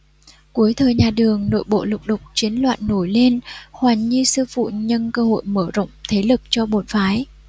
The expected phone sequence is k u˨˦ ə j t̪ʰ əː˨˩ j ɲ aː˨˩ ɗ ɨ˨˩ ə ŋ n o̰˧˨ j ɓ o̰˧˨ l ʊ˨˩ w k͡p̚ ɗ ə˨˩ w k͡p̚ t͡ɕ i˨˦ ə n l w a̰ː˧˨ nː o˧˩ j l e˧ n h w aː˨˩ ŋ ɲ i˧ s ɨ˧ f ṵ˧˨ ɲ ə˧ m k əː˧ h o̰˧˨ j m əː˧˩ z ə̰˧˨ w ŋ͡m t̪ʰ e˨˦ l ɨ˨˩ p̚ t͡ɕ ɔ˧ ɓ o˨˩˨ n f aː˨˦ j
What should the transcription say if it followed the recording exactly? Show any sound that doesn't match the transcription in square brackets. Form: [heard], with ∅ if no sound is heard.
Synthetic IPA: k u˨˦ ə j t̪ʰ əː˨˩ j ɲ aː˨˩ ɗ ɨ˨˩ ə ŋ n o̰˧˨ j ɓ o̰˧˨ l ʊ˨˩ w k͡p̚ ɗ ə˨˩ w k͡p̚ t͡ɕ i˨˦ ə n l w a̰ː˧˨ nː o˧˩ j l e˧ n h w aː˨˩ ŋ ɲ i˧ s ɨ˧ f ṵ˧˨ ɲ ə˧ [n] k əː˧ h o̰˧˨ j m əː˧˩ z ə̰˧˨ w ŋ͡m t̪ʰ e˨˦ l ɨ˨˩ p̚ t͡ɕ ɔ˧ ɓ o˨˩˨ n f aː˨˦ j